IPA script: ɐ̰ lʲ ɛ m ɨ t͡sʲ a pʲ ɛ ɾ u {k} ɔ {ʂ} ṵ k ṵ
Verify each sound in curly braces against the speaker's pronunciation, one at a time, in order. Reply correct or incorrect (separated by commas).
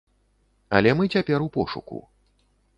incorrect, correct